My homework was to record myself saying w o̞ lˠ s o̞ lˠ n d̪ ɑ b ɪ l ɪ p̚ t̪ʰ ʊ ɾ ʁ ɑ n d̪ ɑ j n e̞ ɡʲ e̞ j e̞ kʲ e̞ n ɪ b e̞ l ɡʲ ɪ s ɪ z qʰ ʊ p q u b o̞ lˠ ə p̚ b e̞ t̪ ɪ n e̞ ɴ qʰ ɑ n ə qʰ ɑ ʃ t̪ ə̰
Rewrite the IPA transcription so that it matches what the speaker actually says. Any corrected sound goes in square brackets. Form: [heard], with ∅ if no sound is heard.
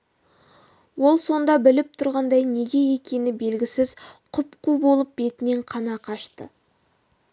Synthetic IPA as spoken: w o̞ lˠ s o̞ [∅] n d̪ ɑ b ɪ l ɪ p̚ t̪ʰ ʊ ɾ ʁ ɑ n d̪ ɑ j n e̞ ɡʲ e̞ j e̞ kʲ e̞ n ɪ b e̞ l ɡʲ ɪ s ɪ z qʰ ʊ p q u b o̞ lˠ ə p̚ b e̞ t̪ ɪ n e̞ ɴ qʰ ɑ n [ɑ] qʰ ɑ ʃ t̪ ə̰